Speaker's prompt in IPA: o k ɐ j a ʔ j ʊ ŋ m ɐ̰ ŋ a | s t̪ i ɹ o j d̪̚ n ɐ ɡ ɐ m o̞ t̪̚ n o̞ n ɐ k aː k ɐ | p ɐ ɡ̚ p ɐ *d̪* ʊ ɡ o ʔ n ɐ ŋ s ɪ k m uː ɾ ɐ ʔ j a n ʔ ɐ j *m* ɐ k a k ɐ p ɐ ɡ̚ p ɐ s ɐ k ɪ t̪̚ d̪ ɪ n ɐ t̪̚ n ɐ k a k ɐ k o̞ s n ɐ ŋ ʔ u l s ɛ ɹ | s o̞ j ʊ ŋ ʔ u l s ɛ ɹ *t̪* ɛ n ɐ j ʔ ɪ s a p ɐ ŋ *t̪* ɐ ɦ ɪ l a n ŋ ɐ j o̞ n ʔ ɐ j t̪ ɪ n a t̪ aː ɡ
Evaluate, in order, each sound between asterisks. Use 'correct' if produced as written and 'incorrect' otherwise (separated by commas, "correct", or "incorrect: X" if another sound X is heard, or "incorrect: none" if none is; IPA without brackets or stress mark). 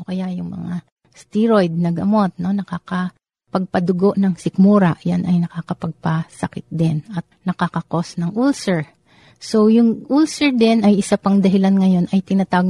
correct, incorrect: n, incorrect: d̪, incorrect: d̪